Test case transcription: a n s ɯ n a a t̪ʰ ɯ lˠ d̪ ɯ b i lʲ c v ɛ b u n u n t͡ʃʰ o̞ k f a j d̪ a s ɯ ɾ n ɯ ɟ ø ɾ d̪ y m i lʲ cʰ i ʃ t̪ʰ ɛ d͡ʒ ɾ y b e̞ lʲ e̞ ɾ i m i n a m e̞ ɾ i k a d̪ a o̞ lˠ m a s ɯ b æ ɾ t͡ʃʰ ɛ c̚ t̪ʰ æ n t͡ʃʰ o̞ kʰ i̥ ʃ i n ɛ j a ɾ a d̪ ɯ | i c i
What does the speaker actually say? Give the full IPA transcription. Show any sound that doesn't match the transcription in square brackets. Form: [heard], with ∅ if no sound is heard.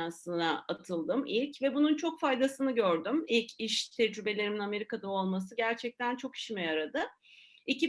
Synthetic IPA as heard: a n s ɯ n a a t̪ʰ ɯ lˠ d̪ ɯ [m] i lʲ c v ɛ b u n u n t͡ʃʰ o̞ k f a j d̪ a s ɯ [∅] n ɯ ɟ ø ɾ d̪ y m i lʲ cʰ i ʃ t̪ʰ ɛ d͡ʒ ɾ y b e̞ lʲ e̞ ɾ i m i n a m e̞ ɾ i k a d̪ a o̞ lˠ m a s ɯ [ɟ] æ ɾ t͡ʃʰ ɛ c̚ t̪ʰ æ n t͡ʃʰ o̞ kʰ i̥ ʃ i [m] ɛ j a ɾ a d̪ ɯ | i c i